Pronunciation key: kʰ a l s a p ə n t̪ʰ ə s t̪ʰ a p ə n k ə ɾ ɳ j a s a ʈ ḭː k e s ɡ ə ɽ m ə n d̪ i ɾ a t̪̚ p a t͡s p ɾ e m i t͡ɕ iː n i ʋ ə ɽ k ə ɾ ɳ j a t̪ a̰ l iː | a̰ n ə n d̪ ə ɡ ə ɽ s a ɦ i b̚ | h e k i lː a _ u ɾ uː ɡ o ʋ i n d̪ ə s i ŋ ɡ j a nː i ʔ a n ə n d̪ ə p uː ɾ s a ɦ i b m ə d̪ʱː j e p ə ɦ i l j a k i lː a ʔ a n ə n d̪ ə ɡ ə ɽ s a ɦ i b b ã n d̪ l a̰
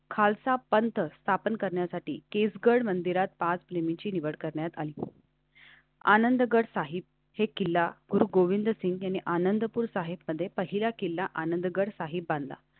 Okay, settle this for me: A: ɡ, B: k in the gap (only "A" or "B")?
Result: A